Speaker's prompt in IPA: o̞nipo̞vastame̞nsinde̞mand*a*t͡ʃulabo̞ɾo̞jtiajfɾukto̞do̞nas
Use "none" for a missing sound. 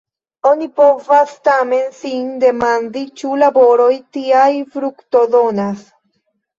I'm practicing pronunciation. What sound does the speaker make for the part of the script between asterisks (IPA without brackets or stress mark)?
i